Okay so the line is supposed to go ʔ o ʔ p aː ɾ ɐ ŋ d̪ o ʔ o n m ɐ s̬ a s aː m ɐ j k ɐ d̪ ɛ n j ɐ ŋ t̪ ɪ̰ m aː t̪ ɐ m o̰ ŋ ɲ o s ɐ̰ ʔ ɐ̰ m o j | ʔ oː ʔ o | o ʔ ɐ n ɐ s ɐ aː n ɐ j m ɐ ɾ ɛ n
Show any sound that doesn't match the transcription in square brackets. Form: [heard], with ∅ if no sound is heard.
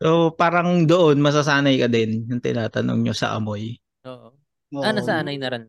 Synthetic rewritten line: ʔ o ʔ p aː ɾ ɐ ŋ d̪ o ʔ o n m ɐ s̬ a s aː [n] ɐ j k ɐ d̪ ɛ n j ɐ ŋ t̪ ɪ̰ [n] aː t̪ ɐ [n] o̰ ŋ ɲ o s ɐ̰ ʔ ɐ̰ m o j | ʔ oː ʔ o | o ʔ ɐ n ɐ s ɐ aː n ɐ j [n] ɐ ɾ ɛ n